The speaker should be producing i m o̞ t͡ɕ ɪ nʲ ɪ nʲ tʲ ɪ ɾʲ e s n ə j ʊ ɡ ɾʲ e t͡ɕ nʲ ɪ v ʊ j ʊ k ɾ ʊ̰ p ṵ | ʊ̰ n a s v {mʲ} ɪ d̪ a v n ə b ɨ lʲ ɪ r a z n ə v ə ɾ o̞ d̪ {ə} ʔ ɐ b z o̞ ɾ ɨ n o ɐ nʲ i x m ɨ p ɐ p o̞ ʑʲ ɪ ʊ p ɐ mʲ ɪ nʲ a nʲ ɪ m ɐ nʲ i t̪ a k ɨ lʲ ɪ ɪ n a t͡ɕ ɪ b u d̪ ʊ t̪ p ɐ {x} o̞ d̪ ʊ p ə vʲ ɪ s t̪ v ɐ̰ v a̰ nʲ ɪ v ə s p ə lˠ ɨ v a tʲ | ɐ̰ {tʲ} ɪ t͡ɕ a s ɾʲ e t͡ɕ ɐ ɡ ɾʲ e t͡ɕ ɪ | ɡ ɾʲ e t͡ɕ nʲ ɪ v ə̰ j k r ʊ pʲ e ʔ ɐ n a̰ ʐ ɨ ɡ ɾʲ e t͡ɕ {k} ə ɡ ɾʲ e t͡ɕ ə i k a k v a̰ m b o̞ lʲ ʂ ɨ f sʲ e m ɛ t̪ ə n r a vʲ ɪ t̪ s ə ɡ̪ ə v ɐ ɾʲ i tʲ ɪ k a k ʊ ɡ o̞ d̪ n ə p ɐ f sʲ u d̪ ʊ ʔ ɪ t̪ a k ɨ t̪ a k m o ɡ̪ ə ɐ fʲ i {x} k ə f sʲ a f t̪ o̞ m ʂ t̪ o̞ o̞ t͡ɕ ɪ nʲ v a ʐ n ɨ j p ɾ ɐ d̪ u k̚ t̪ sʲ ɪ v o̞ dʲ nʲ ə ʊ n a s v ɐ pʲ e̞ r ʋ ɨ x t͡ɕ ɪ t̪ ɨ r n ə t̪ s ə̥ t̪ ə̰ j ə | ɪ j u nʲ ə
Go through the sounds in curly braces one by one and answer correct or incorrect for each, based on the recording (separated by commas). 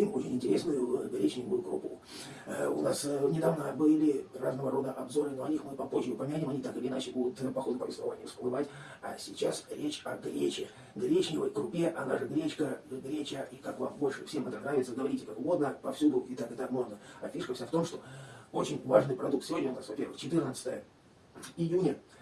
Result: incorrect, correct, correct, incorrect, correct, incorrect